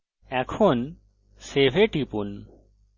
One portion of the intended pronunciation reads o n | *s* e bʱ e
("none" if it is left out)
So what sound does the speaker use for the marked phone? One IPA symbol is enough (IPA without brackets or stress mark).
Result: s